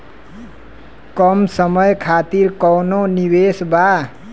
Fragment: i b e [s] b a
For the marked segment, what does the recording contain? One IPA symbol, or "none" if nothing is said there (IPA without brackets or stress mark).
s